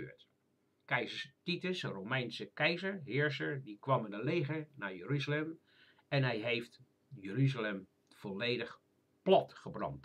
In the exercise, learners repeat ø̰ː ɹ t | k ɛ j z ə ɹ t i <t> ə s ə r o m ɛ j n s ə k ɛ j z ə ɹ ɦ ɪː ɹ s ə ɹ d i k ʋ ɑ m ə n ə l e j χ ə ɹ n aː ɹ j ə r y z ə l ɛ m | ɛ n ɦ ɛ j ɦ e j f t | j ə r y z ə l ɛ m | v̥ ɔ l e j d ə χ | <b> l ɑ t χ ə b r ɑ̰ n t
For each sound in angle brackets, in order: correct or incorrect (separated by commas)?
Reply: correct, incorrect